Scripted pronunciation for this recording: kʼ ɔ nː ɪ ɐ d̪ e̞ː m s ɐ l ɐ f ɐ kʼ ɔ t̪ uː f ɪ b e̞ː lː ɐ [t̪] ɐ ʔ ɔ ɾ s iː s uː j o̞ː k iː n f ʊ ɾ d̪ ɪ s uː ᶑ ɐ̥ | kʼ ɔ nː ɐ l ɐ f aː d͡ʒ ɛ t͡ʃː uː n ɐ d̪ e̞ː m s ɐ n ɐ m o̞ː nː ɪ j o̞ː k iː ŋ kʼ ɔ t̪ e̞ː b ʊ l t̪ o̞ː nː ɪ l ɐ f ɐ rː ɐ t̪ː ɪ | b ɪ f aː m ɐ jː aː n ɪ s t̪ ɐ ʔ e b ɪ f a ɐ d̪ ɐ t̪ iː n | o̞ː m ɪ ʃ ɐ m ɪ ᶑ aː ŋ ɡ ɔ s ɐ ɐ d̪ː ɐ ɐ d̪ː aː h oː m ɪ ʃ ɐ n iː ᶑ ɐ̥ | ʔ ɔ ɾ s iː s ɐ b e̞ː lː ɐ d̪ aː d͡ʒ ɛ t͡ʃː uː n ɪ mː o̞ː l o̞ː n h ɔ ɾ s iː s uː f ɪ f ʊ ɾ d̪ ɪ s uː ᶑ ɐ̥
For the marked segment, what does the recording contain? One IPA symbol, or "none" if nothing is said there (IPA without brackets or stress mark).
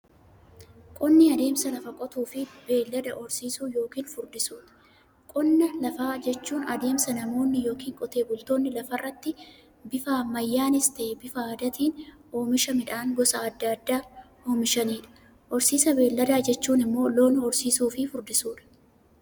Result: d̪